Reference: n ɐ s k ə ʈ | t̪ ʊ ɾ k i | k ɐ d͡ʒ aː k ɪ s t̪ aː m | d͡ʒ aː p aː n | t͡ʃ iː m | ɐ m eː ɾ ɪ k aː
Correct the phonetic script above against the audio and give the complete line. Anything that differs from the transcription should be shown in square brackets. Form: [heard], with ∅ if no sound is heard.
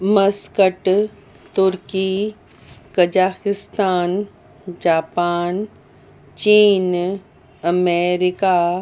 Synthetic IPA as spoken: [m] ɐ s k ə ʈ | t̪ ʊ ɾ k i | k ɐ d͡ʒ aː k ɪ s t̪ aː [n] | d͡ʒ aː p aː n | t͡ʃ iː [n] | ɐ m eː ɾ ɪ k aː